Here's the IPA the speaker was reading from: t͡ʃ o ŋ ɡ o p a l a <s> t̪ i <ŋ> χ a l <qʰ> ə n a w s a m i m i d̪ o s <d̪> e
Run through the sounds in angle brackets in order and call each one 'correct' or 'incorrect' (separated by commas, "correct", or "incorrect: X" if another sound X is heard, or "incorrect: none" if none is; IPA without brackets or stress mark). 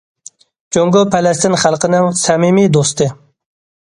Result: correct, incorrect: n, incorrect: q, incorrect: t̪